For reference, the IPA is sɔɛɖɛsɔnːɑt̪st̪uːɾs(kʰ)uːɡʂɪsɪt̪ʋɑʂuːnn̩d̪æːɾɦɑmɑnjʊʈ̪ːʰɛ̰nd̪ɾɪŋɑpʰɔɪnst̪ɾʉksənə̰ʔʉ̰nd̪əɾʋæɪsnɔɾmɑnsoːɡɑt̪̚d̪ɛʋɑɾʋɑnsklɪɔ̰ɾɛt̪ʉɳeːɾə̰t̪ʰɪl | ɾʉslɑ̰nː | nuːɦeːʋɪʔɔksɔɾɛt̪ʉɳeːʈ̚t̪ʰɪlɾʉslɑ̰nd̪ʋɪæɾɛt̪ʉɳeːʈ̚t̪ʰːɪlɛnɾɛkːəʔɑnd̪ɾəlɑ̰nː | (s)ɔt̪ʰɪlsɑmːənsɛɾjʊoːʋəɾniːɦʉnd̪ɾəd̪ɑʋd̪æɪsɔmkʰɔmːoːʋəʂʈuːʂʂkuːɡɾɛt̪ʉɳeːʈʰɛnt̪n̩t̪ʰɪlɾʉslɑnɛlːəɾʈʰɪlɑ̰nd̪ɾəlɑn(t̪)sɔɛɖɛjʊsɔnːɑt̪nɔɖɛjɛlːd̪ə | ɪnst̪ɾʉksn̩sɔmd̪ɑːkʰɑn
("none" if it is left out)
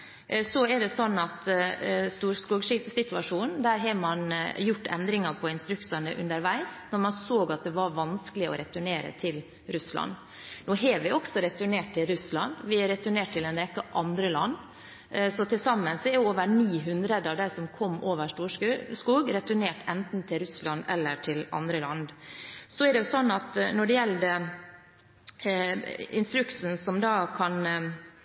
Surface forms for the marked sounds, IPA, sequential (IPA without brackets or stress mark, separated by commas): k, s, d̪